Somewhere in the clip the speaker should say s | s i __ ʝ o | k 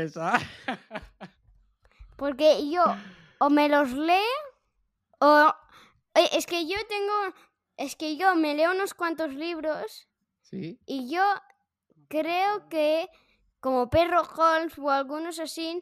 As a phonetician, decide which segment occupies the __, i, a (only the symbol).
i